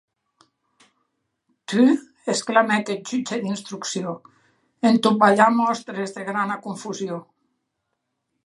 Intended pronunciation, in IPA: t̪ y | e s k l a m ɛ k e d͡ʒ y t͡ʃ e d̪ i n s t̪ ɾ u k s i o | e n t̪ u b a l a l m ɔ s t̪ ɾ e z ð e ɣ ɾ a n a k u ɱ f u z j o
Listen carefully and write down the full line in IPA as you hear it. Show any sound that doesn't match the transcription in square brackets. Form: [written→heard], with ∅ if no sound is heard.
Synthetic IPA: t̪ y | e s k l a m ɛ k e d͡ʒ y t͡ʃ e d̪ i n s t̪ ɾ u k s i o | e n t̪ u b a [l→ʎ] a [l→∅] m ɔ s t̪ ɾ e z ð e ɣ ɾ a n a k u ɱ f u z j o

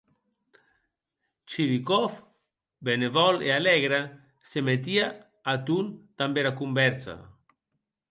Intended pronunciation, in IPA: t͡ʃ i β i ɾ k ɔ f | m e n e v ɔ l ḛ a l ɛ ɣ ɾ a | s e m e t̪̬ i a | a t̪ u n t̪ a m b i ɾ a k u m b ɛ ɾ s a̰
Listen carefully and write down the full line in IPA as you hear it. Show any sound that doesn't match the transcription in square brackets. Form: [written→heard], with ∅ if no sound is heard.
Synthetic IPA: t͡ʃ i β i [ɾ→∅] k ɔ f | [m→b] e n e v ɔ l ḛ a l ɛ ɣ ɾ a | s e m e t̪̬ i a | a t̪ u n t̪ a m b [i→e] ɾ a k u m b ɛ ɾ s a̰

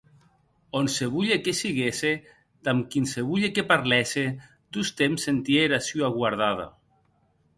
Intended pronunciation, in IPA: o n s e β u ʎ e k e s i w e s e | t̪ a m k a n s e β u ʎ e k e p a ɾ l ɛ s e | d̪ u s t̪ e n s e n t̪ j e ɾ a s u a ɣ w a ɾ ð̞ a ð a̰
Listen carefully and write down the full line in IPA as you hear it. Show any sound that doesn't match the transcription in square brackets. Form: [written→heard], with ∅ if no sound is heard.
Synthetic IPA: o n s e β u ʎ e k e s i [w→ɣ] e s e | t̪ a m k [a→i] n s e β u ʎ e k e p a ɾ l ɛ s e | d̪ u s t̪ e [n→m] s e n t̪ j e ɾ a s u a ɣ w a ɾ ð̞ a ð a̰

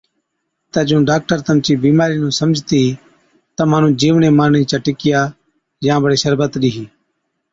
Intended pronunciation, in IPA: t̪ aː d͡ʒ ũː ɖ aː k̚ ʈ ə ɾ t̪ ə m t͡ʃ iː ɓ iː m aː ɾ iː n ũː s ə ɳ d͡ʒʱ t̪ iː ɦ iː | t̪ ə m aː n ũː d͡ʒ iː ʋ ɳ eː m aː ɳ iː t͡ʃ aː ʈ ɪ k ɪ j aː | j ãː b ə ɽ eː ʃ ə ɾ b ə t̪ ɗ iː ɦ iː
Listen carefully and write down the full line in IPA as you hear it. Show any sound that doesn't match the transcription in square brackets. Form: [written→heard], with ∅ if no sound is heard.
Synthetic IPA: t̪ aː d͡ʒ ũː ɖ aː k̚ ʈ ə ɾ t̪ ə m t͡ʃ iː [ɓ→b] iː m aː ɾ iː n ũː s ə [ɳ→m] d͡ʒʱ t̪ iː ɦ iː | t̪ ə m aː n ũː d͡ʒ iː ʋ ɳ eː m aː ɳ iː t͡ʃ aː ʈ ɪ k ɪ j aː | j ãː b ə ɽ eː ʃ ə ɾ b ə t̪ ɗ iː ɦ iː

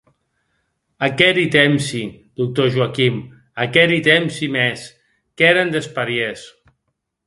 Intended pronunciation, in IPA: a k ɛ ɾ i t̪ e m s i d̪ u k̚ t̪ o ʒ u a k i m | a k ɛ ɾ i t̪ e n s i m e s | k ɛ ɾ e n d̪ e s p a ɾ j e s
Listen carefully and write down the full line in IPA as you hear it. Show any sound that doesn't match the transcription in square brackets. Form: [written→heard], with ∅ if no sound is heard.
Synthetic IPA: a k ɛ ɾ i t̪ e m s i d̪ u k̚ t̪ o ʒ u a k i m | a k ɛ ɾ i t̪ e [n→m] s i m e s | k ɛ ɾ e n d̪ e s p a ɾ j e s

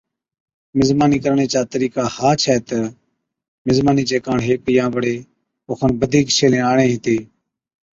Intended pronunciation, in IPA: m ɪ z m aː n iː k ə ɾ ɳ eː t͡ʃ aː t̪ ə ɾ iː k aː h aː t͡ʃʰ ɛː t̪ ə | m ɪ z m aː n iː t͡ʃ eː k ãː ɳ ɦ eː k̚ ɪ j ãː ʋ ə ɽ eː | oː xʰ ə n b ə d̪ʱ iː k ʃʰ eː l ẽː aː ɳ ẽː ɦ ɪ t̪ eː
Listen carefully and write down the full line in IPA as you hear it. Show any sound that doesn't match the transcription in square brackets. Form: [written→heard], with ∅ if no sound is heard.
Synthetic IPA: m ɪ z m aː n iː k ə ɾ ɳ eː t͡ʃ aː t̪ ə ɾ iː k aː h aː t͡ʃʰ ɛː t̪ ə | m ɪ z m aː n iː t͡ʃ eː k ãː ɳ ɦ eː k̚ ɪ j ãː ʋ ə ɽ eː | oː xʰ ə n b ə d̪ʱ iː k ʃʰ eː l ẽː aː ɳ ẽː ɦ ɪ t̪ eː

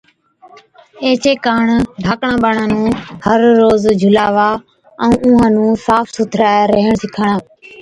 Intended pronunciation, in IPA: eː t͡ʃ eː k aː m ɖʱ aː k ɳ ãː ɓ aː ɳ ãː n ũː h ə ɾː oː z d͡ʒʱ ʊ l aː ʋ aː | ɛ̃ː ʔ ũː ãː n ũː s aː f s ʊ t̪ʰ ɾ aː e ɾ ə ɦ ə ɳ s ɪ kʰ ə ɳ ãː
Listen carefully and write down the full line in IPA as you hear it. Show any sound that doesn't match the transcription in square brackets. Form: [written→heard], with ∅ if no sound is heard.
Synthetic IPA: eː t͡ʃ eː k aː [m→ɳ] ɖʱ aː k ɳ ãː ɓ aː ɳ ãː n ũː h ə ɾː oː z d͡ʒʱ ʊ l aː ʋ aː | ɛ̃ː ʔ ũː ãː n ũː s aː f s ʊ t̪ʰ ɾ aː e ɾ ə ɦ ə ɳ s ɪ kʰ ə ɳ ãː

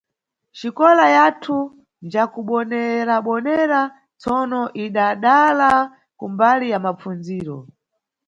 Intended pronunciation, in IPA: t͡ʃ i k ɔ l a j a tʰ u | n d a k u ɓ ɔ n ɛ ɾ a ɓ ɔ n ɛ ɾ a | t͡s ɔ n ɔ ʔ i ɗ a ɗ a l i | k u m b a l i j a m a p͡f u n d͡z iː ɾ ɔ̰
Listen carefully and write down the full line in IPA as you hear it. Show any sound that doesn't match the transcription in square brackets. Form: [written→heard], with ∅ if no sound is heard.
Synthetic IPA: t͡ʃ i k ɔ l a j a tʰ u | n [d→d͡ʒ] a k u ɓ ɔ n ɛ ɾ a ɓ ɔ n ɛ ɾ a | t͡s ɔ n ɔ ʔ i ɗ a ɗ a l [i→a] | k u m b a l i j a m a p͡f u n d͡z iː ɾ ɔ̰

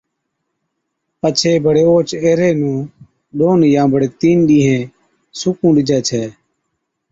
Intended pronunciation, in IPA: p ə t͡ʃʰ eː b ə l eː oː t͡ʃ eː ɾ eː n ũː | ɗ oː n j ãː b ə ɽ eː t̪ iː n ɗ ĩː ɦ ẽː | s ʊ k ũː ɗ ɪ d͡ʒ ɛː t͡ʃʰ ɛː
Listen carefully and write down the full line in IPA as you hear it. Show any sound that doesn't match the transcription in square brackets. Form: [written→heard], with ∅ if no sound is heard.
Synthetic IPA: p ə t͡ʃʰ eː b ə [l→ɽ] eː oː t͡ʃ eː ɾ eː n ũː | ɗ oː n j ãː b ə ɽ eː t̪ iː n ɗ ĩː ɦ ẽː | s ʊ k ũː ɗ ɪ d͡ʒ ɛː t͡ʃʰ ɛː

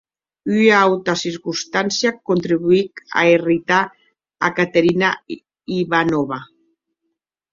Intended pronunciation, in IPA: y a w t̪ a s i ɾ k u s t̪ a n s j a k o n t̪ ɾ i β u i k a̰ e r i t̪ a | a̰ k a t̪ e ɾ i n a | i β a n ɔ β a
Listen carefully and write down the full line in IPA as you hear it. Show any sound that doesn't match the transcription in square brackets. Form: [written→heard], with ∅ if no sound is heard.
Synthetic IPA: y a w t̪ a s i ɾ k u s t̪ a n s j a k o n t̪ ɾ i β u i k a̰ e r i t̪ a | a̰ k a t̪ e ɾ i n a | i β a n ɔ β a

